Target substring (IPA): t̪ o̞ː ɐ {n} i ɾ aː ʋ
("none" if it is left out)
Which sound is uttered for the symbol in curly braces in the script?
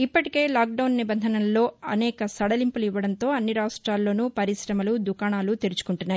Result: nː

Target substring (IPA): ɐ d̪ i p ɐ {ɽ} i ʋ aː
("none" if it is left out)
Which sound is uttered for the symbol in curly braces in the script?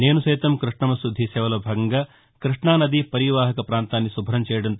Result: ɾ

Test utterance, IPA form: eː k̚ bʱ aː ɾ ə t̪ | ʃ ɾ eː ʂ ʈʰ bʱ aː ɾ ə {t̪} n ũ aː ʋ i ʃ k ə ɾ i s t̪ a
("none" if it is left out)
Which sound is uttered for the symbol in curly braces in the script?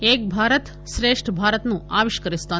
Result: t̪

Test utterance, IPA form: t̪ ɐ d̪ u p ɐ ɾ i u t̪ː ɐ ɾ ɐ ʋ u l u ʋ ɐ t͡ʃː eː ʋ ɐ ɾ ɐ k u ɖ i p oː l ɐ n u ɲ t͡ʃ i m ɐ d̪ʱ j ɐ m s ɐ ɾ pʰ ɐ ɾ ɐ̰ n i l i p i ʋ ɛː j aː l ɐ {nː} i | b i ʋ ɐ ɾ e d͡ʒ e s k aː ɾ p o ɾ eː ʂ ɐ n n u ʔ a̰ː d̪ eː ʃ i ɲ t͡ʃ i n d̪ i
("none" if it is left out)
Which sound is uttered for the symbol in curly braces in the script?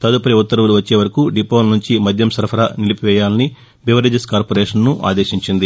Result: n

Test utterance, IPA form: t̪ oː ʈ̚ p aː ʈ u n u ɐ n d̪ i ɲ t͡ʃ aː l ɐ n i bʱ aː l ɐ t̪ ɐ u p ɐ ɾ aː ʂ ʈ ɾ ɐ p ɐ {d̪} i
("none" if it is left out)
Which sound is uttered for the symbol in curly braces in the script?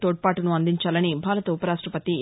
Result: t̪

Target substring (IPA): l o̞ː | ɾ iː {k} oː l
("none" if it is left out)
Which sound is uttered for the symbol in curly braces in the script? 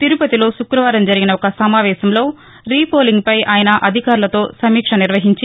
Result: p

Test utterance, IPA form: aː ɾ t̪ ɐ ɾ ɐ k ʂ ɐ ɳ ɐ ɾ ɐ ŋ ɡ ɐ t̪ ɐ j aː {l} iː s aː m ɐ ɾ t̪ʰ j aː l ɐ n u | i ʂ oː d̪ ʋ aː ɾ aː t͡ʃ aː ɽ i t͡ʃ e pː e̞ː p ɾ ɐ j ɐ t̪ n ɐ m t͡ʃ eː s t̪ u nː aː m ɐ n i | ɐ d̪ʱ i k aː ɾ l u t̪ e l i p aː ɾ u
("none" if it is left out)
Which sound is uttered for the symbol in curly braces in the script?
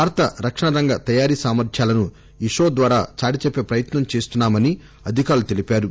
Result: ɾ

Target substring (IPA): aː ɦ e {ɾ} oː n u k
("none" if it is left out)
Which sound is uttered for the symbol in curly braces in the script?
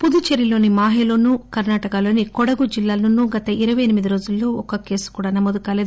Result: l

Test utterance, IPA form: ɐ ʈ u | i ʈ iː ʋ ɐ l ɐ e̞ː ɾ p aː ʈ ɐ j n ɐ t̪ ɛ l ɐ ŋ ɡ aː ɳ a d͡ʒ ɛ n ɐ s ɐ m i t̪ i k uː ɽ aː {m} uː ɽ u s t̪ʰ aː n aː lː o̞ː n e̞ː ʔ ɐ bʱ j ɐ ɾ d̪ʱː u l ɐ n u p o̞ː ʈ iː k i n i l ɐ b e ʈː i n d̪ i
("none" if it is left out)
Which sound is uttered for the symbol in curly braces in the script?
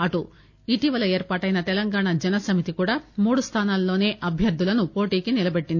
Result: m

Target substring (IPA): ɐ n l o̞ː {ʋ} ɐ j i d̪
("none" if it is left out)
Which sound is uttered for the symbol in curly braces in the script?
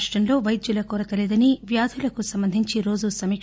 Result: ʋ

